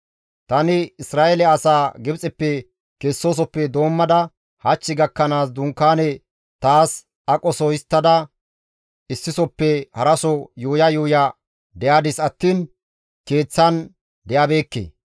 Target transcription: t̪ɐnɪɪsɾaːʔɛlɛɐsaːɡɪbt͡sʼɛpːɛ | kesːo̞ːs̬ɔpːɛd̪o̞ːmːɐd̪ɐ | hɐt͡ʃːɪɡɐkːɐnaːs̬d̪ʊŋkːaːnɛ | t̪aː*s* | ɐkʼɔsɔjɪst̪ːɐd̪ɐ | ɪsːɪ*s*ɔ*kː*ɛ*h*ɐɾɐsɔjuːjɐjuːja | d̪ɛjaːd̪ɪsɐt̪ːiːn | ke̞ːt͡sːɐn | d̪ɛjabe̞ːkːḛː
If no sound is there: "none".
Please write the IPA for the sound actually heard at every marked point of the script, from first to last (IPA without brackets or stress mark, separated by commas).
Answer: s, s, pː, h